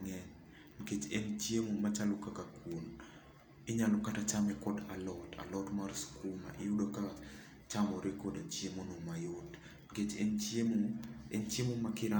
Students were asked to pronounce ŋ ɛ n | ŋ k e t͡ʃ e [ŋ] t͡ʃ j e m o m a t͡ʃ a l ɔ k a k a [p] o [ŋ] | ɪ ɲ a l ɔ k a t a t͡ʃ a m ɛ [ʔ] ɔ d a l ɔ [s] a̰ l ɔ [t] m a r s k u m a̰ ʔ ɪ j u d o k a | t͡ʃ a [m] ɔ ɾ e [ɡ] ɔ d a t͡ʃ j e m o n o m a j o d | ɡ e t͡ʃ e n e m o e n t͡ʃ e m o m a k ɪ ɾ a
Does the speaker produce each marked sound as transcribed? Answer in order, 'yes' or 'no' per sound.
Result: no, no, no, no, no, yes, yes, no

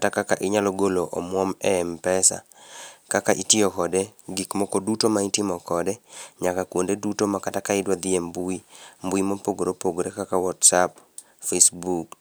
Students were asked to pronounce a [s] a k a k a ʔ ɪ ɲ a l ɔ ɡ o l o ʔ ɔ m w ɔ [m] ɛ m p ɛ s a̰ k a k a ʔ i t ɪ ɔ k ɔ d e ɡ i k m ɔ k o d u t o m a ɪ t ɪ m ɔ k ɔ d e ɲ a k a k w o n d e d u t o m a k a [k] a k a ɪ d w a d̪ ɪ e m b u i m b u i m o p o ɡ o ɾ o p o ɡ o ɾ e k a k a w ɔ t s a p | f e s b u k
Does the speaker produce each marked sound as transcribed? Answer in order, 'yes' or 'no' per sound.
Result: no, yes, no

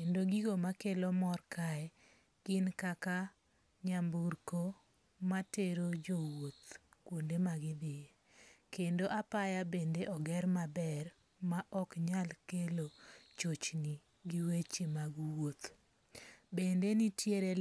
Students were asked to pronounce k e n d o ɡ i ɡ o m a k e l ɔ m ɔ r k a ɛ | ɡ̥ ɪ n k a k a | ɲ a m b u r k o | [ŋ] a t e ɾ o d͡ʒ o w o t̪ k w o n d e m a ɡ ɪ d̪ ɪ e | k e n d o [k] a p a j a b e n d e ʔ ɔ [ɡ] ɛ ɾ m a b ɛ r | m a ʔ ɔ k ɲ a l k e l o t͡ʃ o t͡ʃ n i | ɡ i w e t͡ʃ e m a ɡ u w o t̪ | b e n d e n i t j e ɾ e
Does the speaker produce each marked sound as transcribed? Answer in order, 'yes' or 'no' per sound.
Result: no, no, yes

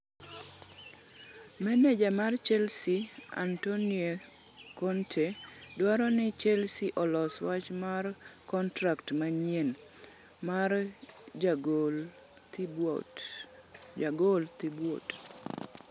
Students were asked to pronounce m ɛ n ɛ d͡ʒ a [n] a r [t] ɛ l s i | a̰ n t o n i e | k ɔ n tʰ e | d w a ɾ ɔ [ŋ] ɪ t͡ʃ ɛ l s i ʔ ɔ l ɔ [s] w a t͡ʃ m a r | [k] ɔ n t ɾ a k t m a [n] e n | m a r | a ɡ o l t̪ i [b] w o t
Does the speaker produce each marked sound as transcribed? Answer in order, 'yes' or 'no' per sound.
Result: no, no, no, yes, yes, no, yes

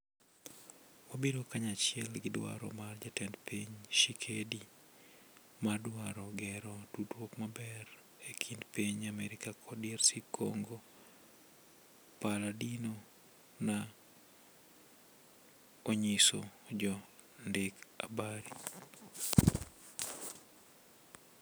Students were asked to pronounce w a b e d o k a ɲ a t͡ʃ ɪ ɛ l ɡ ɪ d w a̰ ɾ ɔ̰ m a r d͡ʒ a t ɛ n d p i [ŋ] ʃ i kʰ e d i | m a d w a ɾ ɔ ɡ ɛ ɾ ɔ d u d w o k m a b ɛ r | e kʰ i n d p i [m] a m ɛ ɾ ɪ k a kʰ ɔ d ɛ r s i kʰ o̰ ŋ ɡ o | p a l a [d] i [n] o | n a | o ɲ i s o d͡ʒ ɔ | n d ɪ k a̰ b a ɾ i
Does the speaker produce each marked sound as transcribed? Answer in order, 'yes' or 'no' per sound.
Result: no, no, yes, yes

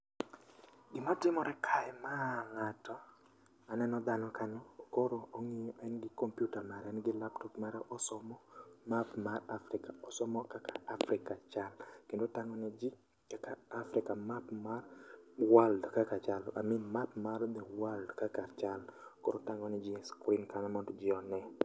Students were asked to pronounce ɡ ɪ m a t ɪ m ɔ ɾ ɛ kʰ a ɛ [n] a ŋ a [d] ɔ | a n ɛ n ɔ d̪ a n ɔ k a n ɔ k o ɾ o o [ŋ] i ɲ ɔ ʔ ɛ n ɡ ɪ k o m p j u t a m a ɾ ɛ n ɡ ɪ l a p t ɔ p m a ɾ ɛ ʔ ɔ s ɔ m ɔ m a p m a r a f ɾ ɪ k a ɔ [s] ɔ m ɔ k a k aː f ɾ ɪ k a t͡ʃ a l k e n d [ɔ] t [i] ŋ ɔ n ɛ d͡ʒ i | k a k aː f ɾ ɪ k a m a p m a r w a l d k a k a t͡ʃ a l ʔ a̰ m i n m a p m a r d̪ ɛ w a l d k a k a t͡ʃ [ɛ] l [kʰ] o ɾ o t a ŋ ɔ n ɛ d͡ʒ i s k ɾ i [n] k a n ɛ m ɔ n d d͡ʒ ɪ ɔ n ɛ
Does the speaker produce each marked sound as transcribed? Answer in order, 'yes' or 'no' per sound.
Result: no, no, yes, yes, no, no, no, no, yes

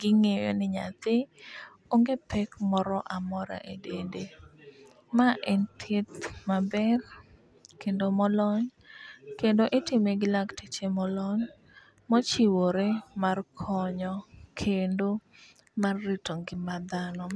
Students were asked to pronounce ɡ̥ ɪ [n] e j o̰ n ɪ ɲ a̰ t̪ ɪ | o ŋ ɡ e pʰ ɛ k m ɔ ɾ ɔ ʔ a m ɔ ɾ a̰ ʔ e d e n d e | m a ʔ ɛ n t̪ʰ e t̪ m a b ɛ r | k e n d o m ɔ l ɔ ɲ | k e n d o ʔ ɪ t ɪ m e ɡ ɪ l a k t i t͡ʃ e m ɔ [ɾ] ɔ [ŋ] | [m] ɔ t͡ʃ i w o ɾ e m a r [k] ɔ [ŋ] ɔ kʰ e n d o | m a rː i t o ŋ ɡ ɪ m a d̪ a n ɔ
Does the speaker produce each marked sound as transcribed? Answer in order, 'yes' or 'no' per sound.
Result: no, no, no, yes, no, no

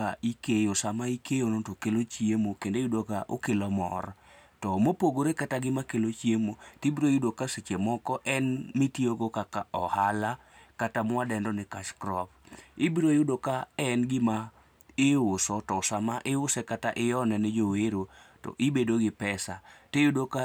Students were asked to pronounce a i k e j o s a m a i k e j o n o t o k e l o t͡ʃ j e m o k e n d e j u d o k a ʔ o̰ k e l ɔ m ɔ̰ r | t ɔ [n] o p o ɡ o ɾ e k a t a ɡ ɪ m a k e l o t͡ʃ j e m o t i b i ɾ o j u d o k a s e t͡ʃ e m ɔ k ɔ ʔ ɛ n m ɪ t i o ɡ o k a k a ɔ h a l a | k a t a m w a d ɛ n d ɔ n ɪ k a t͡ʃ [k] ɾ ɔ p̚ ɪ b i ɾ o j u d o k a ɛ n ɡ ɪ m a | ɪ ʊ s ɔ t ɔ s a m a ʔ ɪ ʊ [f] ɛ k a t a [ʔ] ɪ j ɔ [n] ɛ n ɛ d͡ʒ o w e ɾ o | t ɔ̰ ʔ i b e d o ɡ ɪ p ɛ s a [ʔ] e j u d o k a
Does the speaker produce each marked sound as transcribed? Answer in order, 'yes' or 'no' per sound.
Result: no, yes, no, yes, yes, no

